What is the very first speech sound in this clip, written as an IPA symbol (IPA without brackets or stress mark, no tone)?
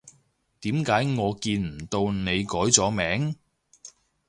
t̪